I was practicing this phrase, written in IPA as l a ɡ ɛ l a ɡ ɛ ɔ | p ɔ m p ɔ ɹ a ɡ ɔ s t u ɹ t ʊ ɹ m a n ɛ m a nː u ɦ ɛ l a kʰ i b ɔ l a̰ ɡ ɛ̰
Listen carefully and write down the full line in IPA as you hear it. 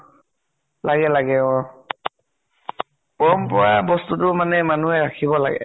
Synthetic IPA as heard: l a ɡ ɛ l a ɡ ɛ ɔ | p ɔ m p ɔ ɹ a b ɔ s t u t ʊ m a n ɛ m a n u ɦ ɛ ɹ a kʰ i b ɔ l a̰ ɡ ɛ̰